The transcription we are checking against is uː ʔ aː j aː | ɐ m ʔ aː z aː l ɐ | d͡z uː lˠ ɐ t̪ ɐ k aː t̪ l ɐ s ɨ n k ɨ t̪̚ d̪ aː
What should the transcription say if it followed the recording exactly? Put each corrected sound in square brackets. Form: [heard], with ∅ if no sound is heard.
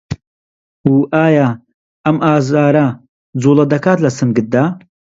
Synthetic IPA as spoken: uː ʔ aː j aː | ɐ m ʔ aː z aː [ɾ] ɐ | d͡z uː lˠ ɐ [d̪] ɐ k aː t̪ l ɐ s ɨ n [ɡ] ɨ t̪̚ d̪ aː